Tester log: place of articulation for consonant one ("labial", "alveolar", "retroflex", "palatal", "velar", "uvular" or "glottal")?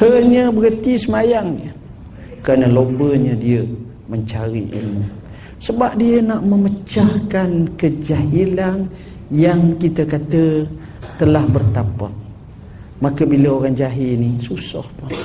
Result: glottal